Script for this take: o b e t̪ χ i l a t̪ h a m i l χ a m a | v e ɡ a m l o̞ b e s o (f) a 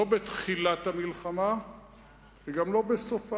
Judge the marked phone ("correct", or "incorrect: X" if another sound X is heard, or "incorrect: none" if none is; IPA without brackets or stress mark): correct